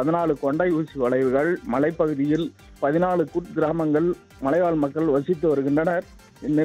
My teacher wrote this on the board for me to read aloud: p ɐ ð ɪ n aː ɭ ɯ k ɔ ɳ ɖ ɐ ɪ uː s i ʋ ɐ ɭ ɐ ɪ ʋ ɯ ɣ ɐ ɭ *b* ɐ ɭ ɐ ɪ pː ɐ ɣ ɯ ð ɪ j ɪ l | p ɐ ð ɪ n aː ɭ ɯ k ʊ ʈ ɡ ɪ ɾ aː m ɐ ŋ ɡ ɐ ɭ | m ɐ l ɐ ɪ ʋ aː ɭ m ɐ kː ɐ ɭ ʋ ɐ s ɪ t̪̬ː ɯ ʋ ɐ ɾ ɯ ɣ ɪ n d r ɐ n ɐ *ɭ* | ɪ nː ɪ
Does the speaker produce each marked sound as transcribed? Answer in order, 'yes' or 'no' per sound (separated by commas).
no, no